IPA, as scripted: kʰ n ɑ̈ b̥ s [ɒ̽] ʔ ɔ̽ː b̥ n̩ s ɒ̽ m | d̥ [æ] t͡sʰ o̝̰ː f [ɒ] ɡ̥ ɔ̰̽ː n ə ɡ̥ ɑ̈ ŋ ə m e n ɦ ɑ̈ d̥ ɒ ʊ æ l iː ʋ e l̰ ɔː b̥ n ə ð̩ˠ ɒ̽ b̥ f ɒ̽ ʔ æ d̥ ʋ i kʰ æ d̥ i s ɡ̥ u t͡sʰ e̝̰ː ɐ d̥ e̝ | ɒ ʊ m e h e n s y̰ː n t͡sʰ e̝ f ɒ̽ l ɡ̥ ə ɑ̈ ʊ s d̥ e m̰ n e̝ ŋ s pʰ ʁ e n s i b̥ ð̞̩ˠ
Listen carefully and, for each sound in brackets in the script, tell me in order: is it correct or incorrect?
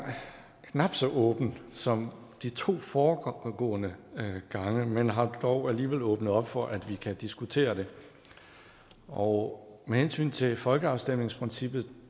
correct, incorrect: i, incorrect: ɒː

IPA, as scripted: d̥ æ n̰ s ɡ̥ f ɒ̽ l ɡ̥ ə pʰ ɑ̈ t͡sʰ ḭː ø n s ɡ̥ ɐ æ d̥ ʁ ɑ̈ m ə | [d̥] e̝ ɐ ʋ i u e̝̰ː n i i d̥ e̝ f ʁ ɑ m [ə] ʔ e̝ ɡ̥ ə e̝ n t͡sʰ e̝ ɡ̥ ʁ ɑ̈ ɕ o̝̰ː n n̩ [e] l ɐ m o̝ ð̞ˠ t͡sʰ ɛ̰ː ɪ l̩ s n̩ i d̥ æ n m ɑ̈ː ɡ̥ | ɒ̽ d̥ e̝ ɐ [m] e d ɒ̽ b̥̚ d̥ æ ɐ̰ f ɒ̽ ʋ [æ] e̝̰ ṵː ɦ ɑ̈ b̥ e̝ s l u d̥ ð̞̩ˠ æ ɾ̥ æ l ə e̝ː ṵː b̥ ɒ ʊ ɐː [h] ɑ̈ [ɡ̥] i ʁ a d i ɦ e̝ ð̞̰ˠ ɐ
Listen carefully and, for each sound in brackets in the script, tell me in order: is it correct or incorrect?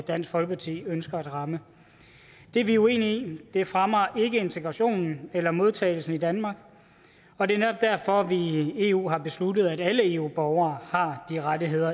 correct, incorrect: ɐ, correct, incorrect: n, incorrect: i, correct, incorrect: d̥

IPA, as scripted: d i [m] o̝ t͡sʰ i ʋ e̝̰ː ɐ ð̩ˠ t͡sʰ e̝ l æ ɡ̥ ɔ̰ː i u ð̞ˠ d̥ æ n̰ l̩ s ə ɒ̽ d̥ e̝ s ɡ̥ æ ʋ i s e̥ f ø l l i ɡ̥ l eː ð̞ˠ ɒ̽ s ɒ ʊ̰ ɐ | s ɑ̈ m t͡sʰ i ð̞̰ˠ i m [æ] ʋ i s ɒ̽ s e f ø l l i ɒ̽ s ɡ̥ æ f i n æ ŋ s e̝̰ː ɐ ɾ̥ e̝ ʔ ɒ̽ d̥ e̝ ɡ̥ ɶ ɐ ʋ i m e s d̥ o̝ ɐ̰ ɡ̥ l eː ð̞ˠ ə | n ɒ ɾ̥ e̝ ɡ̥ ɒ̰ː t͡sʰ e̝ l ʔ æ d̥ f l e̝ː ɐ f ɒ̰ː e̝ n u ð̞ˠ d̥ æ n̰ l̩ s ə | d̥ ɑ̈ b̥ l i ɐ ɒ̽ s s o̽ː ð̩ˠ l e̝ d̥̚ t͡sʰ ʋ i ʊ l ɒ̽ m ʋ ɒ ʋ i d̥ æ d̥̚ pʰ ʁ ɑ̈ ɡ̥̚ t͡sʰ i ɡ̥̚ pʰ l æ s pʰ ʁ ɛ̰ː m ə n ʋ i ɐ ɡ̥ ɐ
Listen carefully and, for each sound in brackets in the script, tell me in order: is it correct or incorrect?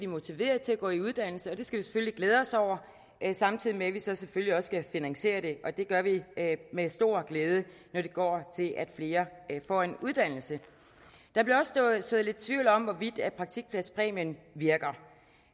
correct, incorrect: e

